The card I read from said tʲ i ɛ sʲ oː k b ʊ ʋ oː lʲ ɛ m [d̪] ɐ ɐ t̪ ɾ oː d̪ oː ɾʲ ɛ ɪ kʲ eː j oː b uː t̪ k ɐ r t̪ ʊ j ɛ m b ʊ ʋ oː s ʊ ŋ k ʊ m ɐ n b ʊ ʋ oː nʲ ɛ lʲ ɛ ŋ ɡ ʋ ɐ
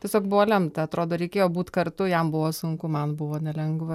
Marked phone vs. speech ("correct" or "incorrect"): incorrect